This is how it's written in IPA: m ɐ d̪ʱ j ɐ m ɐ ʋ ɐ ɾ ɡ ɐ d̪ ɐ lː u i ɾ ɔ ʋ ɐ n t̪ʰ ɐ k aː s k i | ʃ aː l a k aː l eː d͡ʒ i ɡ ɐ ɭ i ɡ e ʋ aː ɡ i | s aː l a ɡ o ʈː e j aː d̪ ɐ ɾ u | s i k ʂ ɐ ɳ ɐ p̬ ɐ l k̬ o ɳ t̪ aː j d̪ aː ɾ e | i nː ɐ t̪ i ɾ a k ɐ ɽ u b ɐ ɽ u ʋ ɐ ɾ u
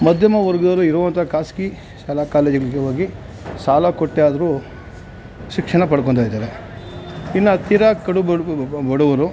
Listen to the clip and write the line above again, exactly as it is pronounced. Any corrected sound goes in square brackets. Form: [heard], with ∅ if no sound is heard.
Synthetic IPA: m ɐ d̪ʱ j ɐ m ɐ ʋ ɐ ɾ ɡ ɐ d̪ ɐ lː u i ɾ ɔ ʋ ɐ n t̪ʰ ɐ k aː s k i | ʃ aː l a k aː l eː d͡ʒ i ɡ ɐ ɭ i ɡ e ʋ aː ɡ i | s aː l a [k] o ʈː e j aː d̪ ɐ ɾ u | [ʃ] i k ʂ ɐ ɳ ɐ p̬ ɐ [ɽ] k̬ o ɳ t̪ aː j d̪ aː ɾ e | i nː ɐ t̪ i ɾ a k ɐ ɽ u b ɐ ɽ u ʋ ɐ ɾ u